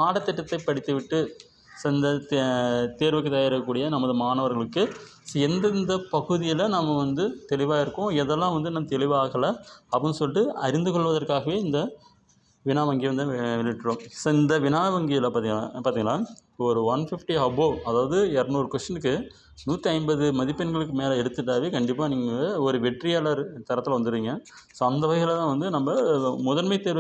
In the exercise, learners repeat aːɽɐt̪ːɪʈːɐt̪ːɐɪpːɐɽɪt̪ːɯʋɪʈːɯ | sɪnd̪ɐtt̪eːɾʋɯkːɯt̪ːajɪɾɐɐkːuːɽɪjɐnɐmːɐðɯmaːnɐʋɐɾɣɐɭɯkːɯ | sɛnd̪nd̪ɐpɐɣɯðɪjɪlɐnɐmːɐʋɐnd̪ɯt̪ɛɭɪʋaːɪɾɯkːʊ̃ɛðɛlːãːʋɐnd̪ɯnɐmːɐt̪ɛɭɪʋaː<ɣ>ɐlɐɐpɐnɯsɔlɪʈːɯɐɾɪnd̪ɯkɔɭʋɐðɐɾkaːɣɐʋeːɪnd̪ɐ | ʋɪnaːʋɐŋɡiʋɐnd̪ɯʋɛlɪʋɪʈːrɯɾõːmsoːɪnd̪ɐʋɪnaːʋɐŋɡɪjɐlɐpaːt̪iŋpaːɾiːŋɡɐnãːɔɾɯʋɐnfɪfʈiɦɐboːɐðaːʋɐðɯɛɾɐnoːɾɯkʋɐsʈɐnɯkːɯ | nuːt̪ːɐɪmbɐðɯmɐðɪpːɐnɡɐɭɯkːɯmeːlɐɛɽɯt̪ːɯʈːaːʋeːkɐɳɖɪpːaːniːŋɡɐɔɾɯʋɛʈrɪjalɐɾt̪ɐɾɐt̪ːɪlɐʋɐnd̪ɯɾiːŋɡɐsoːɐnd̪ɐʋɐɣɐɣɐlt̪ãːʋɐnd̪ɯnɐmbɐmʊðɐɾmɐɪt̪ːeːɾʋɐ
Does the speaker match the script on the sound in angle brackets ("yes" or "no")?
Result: yes